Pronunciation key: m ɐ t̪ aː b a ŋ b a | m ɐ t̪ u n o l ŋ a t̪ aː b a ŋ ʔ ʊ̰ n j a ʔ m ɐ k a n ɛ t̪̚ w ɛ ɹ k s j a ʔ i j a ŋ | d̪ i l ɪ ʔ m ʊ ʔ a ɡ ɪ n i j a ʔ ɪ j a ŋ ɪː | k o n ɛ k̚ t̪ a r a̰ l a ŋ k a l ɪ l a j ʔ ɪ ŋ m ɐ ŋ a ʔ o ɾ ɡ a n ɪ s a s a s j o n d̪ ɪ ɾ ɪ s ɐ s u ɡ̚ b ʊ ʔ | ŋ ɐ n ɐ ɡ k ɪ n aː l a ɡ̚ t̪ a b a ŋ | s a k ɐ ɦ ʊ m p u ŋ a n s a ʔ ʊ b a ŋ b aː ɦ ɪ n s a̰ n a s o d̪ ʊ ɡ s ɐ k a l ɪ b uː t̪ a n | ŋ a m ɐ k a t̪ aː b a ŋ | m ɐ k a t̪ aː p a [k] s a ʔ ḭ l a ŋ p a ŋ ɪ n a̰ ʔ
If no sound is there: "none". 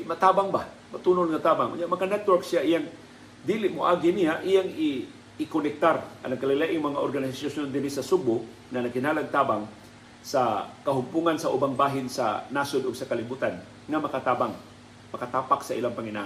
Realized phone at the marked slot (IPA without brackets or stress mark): k